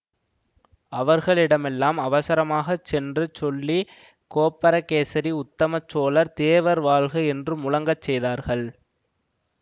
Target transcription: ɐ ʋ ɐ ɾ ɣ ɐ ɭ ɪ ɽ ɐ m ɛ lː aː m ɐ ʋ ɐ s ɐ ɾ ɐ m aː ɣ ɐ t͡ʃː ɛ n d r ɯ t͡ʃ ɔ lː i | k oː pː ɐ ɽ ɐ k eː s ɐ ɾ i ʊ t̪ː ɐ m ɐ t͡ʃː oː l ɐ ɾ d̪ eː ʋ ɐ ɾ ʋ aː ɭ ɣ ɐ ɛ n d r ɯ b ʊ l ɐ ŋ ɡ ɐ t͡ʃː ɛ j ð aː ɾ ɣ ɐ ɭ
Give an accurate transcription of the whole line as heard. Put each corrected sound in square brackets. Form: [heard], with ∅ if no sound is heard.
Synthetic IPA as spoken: ɐ ʋ ɐ ɾ ɣ ɐ ɭ ɪ ɽ ɐ m ɛ lː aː m ɐ ʋ ɐ s ɐ ɾ ɐ m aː ɣ ɐ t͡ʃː ɛ n d r ɯ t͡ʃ ɔ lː i | k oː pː ɐ [ɾ] ɐ k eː s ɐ ɾ i ʊ t̪ː ɐ m ɐ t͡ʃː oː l ɐ ɾ [t̪] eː ʋ ɐ ɾ ʋ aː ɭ ɣ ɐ ɛ n d r ɯ [m] ʊ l ɐ ŋ ɡ ɐ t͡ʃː ɛ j ð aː ɾ ɣ ɐ ɭ